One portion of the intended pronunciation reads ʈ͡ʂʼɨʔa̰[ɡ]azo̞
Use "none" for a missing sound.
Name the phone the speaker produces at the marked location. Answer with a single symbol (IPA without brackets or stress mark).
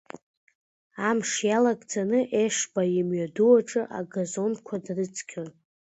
ɡ